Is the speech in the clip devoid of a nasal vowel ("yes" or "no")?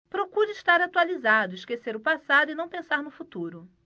no